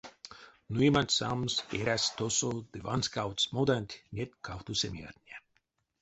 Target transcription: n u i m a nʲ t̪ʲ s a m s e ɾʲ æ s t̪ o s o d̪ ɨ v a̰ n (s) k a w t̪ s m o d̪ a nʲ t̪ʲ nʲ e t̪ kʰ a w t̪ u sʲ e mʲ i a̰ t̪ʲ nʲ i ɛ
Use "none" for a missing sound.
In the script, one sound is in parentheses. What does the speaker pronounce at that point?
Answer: s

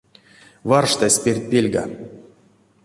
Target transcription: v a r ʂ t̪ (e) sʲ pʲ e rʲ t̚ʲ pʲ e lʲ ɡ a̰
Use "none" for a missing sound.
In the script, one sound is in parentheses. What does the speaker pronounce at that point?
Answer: a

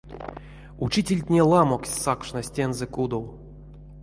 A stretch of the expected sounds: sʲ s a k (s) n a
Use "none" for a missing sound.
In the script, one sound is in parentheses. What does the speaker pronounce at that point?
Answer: ʂ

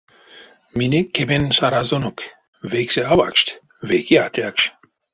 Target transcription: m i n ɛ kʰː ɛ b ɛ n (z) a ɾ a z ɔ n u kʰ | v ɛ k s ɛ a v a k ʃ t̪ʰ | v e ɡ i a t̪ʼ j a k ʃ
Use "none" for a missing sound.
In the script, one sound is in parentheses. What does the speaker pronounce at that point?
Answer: s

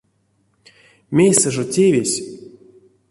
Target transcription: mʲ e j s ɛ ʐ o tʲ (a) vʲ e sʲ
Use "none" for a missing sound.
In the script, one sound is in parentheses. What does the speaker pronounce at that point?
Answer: e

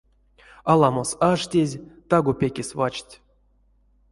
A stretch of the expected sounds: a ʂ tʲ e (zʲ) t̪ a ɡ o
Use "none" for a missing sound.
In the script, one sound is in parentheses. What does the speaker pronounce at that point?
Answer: zʲ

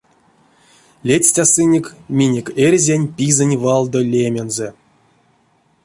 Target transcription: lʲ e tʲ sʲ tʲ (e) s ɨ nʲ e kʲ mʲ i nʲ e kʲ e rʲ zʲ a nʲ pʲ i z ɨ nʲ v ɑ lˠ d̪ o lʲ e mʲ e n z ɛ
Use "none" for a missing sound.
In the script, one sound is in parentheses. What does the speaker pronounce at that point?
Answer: a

